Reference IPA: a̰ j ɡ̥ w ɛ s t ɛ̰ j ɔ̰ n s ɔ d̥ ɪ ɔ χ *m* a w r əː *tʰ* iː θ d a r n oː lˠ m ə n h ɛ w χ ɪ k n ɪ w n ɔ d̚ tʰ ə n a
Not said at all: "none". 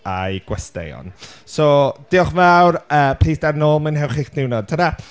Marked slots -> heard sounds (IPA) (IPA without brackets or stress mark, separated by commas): m, pʰ